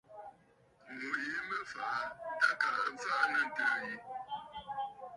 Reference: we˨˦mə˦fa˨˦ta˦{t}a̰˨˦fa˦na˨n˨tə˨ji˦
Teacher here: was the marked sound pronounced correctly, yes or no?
no